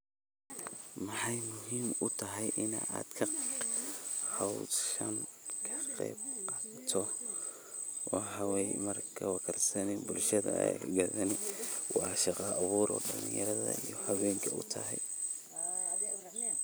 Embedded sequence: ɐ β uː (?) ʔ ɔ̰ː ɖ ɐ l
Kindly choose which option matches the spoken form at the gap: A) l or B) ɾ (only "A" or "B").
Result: B